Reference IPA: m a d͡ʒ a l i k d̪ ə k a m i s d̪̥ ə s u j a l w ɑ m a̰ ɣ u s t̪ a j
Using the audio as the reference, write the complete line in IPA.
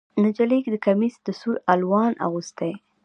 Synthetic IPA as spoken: n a d͡ʒ a l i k d̪ ə k a m i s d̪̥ ə s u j a l w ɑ n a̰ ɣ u s t̪ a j